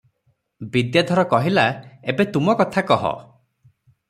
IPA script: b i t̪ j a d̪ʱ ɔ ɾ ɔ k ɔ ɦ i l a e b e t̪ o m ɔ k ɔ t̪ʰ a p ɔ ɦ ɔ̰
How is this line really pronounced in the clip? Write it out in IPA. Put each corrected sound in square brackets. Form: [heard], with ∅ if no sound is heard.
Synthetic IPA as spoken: b i [d̪] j a d̪ʱ ɔ ɾ ɔ k ɔ ɦ i l a e b e t̪ [u] m ɔ k ɔ t̪ʰ a [k] ɔ ɦ ɔ̰